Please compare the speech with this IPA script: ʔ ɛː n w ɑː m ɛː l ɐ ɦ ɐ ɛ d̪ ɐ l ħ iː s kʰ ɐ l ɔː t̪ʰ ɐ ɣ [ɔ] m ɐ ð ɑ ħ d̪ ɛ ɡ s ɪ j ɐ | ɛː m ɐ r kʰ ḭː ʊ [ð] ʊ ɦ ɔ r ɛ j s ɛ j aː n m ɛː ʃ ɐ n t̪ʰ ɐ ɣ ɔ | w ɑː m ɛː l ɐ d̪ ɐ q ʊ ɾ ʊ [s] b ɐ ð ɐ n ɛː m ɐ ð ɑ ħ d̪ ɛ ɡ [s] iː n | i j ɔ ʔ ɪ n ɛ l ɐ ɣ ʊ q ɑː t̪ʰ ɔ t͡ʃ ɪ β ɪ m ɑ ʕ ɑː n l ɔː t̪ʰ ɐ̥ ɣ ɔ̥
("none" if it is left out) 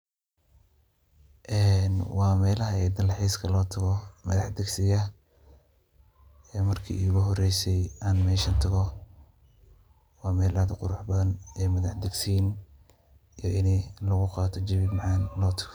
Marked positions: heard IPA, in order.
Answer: ɔ, ɣ, ħ, s

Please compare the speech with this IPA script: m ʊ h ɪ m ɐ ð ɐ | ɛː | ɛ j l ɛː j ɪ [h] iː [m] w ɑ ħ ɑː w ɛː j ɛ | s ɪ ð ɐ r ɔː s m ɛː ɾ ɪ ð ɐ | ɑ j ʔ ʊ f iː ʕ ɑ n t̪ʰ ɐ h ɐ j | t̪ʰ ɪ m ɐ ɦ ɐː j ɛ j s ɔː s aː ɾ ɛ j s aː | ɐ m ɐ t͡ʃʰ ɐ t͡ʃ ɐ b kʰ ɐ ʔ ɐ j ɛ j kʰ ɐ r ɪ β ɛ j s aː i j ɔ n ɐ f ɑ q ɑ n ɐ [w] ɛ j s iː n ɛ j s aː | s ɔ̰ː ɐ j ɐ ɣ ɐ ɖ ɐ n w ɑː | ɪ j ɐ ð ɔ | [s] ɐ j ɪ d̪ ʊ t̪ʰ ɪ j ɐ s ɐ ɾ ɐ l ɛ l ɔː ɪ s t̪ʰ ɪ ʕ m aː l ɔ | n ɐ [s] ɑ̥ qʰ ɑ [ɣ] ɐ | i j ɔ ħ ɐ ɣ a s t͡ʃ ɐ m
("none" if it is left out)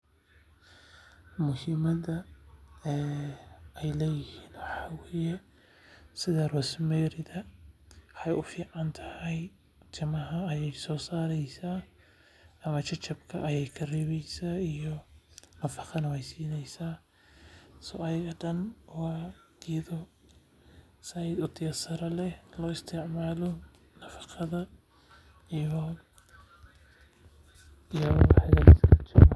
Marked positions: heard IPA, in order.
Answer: h, n, w, s, f, ð

